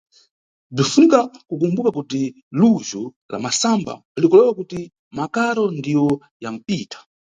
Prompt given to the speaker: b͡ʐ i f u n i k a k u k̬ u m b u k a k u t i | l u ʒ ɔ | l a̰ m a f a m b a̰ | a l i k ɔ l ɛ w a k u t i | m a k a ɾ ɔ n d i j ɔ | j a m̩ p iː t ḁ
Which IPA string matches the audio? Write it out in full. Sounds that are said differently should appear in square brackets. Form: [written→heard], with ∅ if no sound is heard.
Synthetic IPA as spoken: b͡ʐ i f u n i k a k u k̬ u m b u k a k u t i | l u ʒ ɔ | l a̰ m a [f→s] a m b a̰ | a l i k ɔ l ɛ w a k u t i | m a k a ɾ ɔ n d i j ɔ | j a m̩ p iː t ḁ